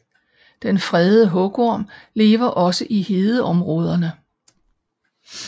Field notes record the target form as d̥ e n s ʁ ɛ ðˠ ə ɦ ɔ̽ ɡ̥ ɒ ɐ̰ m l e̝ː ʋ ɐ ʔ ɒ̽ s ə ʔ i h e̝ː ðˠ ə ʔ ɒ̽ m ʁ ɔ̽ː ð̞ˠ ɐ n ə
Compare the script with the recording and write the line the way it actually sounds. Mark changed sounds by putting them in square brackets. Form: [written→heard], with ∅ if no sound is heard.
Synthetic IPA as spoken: d̥ e n [s→f] ʁ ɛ ðˠ ə ɦ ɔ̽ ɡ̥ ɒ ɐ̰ m l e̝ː ʋ ɐ ʔ ɒ̽ s ə ʔ i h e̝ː ðˠ ə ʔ ɒ̽ m ʁ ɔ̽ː ð̞ˠ ɐ n ə